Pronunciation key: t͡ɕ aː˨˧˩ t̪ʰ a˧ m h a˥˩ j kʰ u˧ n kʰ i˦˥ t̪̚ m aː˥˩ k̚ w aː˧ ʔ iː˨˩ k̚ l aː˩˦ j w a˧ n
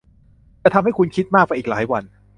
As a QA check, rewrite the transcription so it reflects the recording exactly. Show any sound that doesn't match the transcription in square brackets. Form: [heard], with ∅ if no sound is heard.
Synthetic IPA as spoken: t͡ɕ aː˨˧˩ t̪ʰ a˧ m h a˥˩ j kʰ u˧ n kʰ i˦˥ t̪̚ m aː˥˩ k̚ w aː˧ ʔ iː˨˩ k̚ l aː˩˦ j w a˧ n